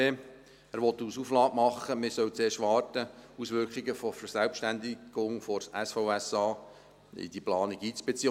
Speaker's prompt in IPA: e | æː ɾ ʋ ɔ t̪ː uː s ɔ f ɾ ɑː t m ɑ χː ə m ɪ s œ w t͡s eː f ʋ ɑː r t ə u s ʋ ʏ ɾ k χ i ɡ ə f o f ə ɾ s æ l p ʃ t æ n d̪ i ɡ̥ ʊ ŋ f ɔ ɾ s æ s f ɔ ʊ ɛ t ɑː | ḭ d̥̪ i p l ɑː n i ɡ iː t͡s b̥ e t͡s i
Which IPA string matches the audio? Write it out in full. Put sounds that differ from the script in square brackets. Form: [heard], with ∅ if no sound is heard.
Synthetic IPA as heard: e | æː ɾ ʋ ɔ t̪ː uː s [u] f [l] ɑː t m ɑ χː ə m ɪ s œ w t͡s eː [ʃ] ʋ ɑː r t ə u s ʋ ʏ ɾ k χ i ɡ ə f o f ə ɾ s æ l p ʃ t æ n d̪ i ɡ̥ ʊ ŋ f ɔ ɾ s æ s f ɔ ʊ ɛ [s] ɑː | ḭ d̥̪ i p l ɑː n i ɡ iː t͡s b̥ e t͡s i